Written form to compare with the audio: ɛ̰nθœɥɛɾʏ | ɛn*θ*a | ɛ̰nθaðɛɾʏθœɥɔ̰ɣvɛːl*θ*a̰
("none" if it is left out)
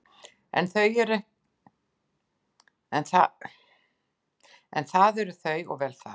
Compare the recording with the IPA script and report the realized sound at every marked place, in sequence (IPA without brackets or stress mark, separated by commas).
θ, θ